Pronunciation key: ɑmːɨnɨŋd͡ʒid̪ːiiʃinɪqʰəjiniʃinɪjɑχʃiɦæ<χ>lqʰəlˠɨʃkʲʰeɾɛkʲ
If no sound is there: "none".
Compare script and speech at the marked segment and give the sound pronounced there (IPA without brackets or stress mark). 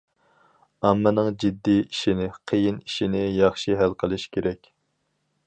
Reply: none